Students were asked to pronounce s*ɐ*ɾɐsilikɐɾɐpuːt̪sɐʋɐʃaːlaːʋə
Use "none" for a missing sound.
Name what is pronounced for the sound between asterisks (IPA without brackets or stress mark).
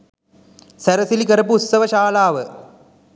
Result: ɐ